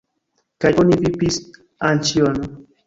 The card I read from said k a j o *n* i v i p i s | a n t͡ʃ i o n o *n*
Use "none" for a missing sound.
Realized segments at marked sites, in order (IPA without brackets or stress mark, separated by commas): n, none